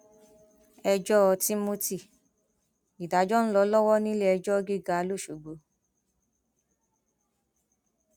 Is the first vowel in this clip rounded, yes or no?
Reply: no